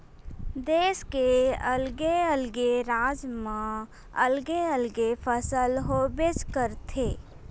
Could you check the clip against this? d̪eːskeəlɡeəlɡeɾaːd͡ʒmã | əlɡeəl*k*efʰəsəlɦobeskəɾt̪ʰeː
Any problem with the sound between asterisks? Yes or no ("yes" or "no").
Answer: yes